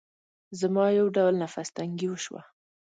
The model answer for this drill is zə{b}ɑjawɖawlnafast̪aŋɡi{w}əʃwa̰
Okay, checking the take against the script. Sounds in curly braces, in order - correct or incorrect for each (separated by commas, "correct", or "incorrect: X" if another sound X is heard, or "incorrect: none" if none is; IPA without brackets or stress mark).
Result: incorrect: m, correct